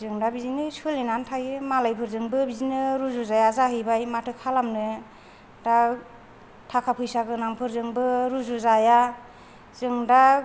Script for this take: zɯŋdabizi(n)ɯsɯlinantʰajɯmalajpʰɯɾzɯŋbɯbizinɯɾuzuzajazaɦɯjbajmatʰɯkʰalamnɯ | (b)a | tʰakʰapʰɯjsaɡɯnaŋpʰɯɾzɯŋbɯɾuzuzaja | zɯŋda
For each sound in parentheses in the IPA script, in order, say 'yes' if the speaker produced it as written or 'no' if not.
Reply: yes, no

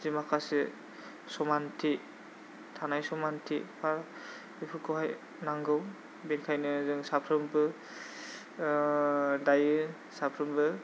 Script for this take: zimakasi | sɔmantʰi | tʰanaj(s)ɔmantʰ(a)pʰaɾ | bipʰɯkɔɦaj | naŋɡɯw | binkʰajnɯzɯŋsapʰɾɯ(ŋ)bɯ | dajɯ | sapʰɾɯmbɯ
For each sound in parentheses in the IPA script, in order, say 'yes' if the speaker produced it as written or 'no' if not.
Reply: yes, no, no

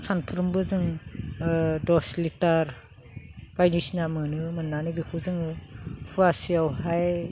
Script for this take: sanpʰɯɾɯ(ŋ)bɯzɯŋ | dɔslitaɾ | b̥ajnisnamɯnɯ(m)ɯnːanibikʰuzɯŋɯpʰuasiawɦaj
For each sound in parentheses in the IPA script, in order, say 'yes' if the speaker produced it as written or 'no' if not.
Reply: no, yes

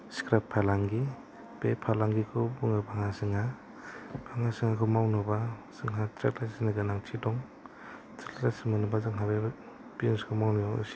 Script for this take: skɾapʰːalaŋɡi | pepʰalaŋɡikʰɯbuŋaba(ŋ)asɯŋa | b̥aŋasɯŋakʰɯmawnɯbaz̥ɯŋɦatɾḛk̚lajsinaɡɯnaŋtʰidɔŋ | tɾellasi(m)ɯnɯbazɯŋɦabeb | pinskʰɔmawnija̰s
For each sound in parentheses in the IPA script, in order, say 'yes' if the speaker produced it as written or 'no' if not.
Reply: yes, yes

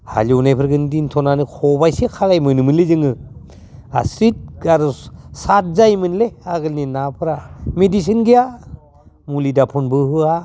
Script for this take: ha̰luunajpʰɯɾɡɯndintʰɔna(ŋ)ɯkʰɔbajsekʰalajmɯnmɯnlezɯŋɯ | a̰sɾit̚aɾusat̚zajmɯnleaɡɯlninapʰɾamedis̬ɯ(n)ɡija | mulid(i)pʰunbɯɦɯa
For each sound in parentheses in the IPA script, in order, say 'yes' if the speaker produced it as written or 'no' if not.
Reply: no, yes, no

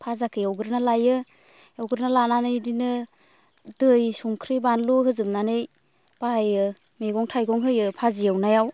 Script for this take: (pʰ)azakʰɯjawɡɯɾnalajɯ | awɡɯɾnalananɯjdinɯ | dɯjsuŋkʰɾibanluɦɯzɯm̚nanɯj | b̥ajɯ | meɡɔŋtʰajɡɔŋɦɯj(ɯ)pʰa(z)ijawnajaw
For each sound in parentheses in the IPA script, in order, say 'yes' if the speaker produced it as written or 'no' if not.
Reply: yes, yes, yes

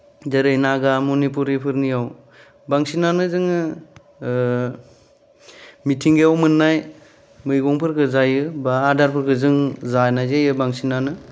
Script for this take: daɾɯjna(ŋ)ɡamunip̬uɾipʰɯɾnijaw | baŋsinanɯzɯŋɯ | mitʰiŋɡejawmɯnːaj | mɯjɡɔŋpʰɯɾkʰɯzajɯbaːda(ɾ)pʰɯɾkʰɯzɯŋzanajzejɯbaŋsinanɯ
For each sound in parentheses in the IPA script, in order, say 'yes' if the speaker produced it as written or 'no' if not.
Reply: no, yes

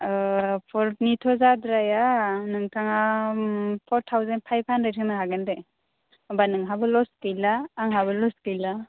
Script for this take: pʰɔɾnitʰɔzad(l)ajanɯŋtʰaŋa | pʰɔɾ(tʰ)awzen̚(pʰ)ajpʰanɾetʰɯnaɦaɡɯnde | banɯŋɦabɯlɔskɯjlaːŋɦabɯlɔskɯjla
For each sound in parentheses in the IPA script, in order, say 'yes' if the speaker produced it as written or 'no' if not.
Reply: no, yes, yes

